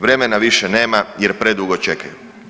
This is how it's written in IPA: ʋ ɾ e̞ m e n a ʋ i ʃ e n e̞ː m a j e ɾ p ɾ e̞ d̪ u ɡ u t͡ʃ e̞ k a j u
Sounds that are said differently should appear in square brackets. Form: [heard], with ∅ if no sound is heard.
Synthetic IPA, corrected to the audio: ʋ ɾ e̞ m e n a ʋ i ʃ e n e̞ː m a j e ɾ p ɾ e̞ d̪ u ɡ [o] t͡ʃ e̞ k a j u